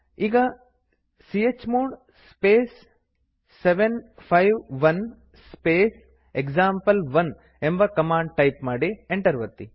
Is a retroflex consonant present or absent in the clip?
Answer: present